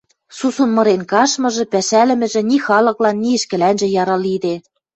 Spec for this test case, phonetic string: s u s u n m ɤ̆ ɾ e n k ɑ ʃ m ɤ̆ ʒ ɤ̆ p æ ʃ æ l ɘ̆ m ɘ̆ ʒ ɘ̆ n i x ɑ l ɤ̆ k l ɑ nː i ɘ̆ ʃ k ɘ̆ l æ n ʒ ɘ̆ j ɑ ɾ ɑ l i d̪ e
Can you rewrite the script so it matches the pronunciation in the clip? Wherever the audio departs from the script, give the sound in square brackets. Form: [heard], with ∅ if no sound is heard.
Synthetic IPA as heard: s u s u n m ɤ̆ ɾ e n k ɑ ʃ m ɤ̆ ʒ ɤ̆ p æ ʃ æ l ɘ̆ m ɘ̆ ʒ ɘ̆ n i x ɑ l ɤ̆ k l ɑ nː i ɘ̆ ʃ k ɘ̆ l æ n ʒ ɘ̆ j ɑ ɾ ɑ l i d̪ e